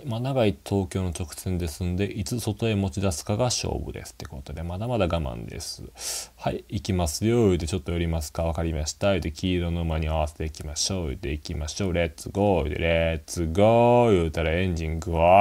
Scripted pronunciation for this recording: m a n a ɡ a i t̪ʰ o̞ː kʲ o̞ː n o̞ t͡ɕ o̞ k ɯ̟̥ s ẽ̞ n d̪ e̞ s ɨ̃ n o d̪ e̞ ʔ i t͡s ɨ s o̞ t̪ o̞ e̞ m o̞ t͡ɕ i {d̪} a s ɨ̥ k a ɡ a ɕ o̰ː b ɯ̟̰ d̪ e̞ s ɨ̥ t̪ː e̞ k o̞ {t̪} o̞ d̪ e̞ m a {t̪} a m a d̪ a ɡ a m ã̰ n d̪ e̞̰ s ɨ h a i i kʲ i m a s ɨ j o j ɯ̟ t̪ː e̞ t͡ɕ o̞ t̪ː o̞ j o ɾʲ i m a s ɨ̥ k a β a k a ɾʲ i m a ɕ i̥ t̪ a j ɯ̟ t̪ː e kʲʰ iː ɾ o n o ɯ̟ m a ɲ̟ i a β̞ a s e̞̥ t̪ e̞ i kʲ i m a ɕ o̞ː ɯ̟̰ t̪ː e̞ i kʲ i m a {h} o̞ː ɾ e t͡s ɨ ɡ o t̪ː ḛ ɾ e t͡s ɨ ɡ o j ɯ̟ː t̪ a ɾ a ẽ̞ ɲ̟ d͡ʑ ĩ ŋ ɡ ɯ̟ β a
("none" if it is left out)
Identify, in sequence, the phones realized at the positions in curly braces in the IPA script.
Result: d̪, t̪, d̪, ɕ

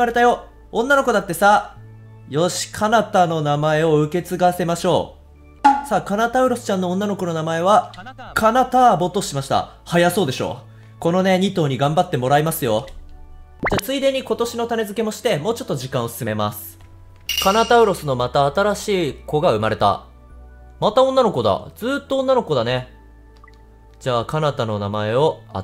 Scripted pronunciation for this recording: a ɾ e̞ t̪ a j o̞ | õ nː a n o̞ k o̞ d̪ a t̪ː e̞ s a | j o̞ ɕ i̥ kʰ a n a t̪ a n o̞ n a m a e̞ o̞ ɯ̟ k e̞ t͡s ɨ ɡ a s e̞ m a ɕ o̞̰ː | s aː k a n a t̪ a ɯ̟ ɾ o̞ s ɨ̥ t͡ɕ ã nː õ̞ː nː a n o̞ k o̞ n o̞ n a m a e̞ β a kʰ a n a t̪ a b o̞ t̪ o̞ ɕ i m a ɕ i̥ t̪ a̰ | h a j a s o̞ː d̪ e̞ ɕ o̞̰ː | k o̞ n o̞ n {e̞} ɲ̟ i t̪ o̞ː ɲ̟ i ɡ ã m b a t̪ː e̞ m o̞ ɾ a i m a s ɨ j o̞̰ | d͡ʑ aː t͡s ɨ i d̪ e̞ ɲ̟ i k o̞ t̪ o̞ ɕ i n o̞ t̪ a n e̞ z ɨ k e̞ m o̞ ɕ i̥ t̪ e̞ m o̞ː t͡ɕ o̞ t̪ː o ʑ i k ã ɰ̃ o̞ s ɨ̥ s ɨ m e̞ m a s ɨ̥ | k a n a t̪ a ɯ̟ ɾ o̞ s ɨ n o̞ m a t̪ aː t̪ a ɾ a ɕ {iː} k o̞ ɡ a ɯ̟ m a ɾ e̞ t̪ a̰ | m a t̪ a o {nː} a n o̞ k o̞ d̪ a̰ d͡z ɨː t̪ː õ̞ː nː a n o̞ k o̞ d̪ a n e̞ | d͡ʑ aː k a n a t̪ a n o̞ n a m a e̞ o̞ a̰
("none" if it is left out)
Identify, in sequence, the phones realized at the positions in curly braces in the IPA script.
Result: e̞, iː, nː

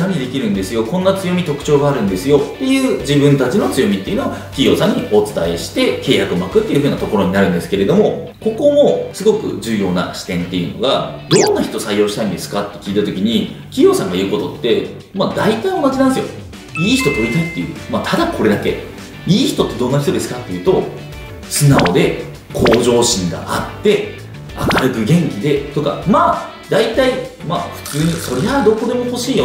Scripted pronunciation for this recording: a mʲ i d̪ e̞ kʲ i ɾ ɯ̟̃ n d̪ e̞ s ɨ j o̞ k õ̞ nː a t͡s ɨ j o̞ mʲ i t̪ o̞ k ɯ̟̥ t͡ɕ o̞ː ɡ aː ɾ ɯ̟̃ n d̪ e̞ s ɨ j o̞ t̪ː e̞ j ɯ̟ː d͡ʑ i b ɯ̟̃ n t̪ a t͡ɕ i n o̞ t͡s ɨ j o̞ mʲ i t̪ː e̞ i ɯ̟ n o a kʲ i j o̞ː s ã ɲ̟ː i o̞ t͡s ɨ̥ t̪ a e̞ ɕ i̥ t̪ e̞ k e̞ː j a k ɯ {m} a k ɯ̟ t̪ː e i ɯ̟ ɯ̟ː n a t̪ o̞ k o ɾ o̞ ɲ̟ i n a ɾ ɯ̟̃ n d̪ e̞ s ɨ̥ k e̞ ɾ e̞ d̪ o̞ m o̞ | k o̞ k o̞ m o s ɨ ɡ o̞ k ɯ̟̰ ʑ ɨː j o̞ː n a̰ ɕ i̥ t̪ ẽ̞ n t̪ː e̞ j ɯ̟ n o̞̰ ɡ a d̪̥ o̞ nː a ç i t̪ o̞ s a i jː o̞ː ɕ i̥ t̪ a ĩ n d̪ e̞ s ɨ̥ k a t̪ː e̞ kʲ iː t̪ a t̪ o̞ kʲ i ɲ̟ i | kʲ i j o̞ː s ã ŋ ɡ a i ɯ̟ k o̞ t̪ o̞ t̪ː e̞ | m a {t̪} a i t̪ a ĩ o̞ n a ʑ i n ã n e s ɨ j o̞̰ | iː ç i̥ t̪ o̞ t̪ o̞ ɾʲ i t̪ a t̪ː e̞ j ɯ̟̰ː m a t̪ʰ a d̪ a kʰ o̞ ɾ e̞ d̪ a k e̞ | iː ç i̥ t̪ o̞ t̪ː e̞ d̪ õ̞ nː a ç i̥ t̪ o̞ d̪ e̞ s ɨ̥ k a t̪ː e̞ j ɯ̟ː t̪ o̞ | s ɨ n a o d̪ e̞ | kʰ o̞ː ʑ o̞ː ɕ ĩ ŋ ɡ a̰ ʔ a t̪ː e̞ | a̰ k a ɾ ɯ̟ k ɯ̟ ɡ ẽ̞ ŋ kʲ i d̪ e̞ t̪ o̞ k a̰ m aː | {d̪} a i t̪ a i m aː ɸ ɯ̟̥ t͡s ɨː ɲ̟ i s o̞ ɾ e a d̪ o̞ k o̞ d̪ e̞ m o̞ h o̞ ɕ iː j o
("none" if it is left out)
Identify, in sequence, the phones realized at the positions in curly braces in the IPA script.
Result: m, d̪, d̪

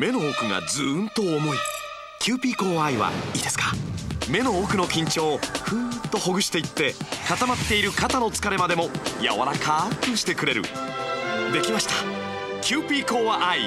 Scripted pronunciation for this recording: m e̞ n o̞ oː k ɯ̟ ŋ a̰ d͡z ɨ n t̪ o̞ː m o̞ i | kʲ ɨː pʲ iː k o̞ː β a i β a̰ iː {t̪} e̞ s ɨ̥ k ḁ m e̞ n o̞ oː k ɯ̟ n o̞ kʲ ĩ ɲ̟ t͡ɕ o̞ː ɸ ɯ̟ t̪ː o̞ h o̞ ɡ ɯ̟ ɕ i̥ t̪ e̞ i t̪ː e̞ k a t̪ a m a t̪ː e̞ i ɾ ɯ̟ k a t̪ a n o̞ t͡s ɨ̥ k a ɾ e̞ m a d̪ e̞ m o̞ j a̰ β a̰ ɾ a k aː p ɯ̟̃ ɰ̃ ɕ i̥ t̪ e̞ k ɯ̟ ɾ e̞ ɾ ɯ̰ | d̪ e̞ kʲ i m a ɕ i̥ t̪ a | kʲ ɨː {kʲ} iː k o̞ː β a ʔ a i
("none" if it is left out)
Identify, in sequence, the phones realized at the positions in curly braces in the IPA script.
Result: d̪, pʲ

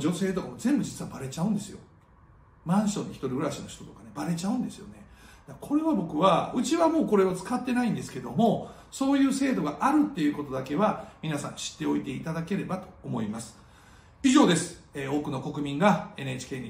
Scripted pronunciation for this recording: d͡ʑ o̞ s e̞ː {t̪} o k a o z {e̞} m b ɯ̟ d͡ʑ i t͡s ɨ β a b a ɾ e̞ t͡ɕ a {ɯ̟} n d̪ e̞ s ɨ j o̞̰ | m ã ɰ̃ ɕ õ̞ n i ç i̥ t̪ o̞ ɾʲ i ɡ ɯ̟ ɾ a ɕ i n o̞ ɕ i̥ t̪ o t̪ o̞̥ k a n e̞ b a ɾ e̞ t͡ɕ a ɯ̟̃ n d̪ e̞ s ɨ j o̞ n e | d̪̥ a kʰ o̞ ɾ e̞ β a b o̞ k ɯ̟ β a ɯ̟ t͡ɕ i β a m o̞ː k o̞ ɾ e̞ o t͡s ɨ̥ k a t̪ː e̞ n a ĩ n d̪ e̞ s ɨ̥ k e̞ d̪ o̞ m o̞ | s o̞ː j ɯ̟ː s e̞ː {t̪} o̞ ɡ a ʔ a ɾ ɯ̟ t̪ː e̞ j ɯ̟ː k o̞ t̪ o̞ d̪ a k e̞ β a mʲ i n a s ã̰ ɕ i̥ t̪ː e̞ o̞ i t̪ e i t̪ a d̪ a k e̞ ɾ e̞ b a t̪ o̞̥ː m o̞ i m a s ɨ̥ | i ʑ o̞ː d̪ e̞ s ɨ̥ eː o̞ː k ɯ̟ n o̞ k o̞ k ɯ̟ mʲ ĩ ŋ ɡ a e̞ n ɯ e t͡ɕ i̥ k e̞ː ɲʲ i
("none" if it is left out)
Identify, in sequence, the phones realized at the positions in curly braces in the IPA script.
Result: t̪, ẽ̞, ɯ̟̃, d̪

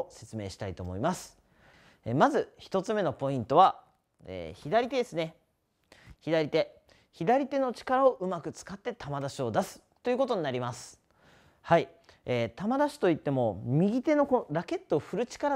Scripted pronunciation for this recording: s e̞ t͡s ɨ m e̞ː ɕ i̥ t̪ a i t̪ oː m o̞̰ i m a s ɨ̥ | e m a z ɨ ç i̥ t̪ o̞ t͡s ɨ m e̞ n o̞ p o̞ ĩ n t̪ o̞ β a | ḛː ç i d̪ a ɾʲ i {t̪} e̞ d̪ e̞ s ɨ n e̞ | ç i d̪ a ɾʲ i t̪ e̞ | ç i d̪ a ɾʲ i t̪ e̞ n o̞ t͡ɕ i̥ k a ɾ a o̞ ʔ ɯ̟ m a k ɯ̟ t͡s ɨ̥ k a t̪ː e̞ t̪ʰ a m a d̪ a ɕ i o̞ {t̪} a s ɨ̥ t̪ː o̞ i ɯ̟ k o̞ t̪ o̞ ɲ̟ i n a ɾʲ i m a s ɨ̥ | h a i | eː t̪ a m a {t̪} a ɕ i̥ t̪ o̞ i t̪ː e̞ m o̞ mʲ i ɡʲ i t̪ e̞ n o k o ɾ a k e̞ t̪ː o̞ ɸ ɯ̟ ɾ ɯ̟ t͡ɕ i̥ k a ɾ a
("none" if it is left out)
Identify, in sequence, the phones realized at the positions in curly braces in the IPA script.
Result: t̪, d̪, d̪

